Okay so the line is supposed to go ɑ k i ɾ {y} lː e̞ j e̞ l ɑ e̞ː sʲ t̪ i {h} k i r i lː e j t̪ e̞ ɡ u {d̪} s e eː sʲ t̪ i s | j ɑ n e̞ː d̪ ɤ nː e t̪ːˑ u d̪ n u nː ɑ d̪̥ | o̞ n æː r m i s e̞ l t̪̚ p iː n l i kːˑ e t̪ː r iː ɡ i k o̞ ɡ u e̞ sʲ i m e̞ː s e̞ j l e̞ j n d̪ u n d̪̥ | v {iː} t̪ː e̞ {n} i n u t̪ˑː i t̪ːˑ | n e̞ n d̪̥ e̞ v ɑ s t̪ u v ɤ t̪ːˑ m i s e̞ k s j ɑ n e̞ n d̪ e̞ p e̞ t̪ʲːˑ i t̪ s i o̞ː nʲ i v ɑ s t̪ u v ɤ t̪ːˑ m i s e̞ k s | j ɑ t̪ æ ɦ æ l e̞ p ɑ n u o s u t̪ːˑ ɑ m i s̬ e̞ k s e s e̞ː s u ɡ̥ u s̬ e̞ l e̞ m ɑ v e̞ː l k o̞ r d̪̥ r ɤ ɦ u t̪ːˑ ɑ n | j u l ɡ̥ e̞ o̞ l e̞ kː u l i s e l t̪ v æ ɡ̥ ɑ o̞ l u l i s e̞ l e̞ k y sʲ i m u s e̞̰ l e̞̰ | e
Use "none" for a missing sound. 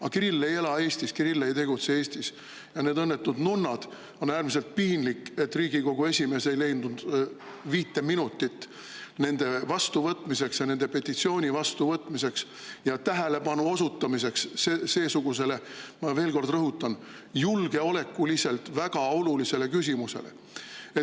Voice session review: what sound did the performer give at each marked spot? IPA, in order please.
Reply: i, s, t̪, iː, m

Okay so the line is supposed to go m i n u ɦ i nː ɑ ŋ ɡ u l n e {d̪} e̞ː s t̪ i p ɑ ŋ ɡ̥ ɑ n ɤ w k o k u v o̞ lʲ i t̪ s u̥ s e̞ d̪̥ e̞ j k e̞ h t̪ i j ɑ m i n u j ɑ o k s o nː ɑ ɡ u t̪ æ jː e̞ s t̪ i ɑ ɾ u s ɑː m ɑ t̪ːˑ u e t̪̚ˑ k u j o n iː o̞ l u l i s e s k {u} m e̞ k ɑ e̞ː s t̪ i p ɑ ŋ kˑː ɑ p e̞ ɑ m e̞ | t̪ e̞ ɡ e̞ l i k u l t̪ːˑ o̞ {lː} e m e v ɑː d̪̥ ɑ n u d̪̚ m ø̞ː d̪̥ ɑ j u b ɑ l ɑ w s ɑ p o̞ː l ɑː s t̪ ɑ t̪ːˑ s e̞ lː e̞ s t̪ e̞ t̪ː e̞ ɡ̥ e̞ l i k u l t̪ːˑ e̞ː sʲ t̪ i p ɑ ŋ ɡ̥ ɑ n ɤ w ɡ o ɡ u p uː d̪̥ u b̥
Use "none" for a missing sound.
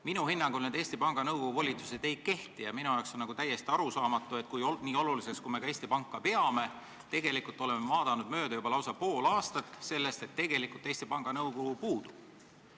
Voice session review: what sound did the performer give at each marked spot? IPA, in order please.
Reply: d̪, u, l

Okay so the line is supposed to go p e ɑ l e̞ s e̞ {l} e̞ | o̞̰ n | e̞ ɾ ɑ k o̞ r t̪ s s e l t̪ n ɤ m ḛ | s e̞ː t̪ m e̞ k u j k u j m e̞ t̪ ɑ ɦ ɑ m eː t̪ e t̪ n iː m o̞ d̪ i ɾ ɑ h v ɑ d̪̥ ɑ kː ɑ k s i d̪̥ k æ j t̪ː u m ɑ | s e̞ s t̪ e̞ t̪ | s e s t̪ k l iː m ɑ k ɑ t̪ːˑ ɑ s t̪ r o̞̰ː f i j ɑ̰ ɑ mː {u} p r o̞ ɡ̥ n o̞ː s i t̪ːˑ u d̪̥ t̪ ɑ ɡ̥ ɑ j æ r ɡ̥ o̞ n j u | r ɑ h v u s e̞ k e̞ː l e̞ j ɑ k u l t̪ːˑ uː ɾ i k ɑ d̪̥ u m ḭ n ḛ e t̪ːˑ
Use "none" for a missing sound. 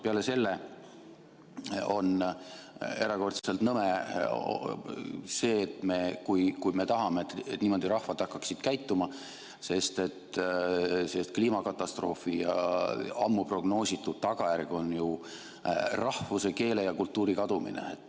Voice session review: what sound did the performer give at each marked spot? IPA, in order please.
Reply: lː, u

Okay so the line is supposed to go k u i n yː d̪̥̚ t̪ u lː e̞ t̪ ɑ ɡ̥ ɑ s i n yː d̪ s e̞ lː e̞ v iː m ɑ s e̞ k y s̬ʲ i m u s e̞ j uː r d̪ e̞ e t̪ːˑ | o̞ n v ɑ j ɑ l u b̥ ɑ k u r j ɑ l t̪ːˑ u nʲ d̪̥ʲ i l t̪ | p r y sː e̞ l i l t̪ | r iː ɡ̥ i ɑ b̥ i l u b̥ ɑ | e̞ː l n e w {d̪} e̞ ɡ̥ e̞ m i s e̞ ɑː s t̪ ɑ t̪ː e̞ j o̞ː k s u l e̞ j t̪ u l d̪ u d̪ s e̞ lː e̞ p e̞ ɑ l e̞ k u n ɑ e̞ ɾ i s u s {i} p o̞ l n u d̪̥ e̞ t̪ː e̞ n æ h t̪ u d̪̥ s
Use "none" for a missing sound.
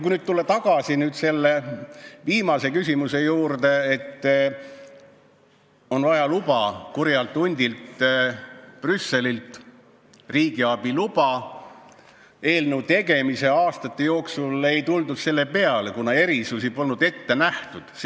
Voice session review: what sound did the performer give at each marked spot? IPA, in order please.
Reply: t̪, i

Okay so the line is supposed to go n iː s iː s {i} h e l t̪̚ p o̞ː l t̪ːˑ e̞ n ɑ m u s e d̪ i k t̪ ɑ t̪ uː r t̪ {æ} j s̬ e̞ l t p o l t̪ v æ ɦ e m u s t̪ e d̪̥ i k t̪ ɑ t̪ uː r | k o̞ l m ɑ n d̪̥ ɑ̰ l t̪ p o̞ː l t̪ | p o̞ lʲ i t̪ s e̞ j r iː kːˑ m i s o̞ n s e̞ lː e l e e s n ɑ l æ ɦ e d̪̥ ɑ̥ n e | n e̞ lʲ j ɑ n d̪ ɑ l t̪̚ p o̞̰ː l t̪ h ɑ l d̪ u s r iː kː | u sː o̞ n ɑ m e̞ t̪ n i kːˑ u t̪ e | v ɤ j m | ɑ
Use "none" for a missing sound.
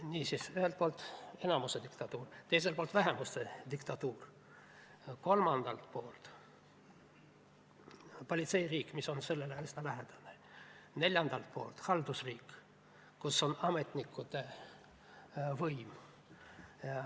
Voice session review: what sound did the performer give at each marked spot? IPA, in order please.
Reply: y, e

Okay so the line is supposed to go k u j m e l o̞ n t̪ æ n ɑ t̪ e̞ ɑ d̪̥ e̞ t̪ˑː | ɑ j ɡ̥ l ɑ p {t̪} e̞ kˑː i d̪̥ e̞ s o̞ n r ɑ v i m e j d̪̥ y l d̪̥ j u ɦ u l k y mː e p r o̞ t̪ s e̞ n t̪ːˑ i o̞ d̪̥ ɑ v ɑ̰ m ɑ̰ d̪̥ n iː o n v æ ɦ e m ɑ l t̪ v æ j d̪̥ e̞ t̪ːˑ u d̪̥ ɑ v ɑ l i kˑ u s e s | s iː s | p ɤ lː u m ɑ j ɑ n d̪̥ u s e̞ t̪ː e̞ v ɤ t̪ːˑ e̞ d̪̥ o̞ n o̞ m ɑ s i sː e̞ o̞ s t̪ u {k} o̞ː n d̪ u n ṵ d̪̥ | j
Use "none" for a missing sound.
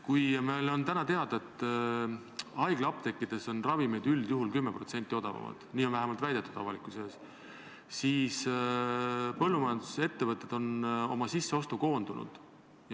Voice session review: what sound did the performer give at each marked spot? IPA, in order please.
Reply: t̪, k

